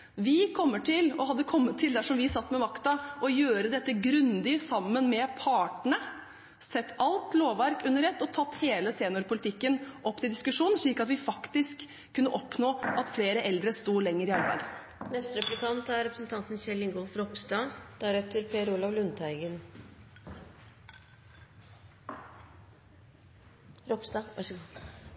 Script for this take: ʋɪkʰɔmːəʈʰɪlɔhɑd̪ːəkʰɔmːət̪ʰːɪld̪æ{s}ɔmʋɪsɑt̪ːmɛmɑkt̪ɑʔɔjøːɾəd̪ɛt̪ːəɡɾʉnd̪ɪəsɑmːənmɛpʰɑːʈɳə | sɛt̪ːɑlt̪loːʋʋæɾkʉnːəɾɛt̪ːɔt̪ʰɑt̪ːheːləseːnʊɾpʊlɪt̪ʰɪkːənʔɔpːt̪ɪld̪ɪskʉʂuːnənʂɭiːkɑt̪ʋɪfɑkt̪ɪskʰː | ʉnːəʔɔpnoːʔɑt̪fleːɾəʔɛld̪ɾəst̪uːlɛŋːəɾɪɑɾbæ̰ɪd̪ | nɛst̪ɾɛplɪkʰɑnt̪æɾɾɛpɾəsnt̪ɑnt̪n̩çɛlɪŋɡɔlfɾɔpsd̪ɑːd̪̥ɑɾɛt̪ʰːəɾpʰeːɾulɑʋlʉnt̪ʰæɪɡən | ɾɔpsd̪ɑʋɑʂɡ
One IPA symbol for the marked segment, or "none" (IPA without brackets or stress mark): ʂ